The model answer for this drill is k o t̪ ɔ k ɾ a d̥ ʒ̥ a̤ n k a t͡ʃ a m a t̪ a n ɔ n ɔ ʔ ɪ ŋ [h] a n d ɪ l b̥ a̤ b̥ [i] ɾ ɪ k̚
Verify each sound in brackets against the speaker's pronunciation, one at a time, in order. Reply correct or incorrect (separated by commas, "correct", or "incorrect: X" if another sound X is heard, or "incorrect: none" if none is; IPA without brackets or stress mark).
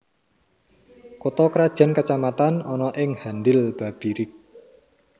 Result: correct, correct